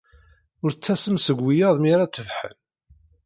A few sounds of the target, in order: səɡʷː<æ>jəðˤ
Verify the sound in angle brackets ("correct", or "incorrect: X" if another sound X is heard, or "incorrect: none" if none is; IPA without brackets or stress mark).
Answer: incorrect: i